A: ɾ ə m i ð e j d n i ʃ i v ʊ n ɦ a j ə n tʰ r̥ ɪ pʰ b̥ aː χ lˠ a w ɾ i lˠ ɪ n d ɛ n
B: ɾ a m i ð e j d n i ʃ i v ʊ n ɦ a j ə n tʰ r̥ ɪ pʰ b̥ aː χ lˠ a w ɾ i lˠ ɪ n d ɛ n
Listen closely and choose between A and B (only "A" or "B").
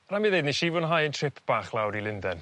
B